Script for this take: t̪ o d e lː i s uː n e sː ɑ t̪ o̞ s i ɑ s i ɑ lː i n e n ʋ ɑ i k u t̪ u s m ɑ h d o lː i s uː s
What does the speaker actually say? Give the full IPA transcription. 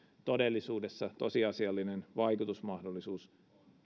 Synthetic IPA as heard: t̪ o d e lː i s uː d e sː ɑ t̪ o̞ s i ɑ s i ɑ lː i n e n ʋ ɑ i k u t̪ u s m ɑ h d o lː i s uː s

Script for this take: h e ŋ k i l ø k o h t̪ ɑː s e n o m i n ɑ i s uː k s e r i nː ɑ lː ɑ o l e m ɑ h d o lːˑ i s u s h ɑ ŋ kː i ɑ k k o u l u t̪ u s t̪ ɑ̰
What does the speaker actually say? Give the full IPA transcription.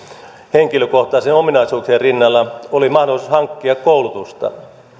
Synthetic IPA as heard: h e ŋ k i l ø k o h t̪ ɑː s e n o m i n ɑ i s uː k s e r i nː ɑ lː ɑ o l i m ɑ h d o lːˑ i s u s h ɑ ŋ kː i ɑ k k o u l u t̪ u s t̪ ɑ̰

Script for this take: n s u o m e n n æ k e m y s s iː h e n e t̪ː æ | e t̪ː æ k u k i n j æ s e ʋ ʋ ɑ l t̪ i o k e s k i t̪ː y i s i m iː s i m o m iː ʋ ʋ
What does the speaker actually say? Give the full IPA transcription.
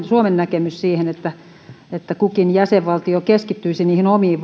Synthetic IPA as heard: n s u o m e n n æ k e m y s s iː h e n e t̪ː æ | e t̪ː æ k u k i n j æ s e ʋ ʋ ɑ l t̪ i o k e s k i t̪ː y i s i n iː h i n o m iː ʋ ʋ

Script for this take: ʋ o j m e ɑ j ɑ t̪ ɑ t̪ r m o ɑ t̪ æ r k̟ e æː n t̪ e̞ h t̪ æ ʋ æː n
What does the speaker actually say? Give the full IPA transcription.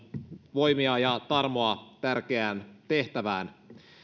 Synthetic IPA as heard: ʋ o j m i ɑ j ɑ t̪ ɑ r m o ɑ t̪ æ r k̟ e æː n t̪ e̞ h t̪ æ ʋ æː n

